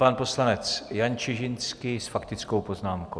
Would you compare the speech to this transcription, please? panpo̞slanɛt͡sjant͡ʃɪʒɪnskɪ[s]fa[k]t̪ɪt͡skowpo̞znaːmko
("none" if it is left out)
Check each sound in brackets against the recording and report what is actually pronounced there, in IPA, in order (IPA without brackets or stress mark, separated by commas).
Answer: s, k